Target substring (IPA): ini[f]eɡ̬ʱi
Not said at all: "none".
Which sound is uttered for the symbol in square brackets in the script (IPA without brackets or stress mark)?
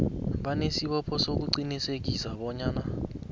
s